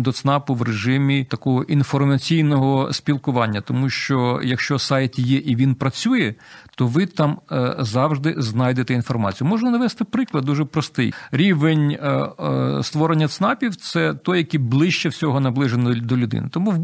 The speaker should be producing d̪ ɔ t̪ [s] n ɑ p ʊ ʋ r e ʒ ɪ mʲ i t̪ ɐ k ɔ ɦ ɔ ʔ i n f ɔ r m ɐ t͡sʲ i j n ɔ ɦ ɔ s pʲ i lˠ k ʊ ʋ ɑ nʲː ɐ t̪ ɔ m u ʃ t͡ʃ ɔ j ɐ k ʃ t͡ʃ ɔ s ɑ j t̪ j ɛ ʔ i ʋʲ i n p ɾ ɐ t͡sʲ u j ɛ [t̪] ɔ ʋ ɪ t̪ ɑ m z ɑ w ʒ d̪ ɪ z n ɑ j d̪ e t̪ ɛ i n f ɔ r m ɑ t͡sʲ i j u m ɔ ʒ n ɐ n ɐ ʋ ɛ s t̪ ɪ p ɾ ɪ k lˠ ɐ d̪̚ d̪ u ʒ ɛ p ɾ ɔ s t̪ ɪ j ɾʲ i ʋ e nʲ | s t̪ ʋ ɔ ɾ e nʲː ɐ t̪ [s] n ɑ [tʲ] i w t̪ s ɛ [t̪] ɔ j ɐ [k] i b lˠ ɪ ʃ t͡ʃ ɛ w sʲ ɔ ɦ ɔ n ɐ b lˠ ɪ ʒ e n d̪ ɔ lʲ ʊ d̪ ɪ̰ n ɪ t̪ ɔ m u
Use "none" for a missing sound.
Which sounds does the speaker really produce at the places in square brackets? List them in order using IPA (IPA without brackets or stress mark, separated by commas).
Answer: s, t̪, s, pʲ, t̪, k